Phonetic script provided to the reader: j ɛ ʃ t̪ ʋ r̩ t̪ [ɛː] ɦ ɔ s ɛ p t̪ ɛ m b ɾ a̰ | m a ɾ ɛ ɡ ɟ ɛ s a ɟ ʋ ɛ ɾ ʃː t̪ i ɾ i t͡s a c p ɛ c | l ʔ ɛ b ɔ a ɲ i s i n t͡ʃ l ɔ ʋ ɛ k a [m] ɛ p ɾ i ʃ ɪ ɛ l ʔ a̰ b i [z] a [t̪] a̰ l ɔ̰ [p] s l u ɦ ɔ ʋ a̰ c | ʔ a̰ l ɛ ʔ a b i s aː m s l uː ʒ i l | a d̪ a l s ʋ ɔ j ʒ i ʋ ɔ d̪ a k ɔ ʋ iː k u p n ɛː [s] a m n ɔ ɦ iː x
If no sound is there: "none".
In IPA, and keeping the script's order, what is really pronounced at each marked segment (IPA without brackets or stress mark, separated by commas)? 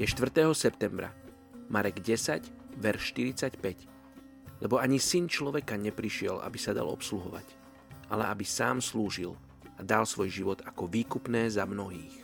ɛː, ɲ, s, d̪, p, z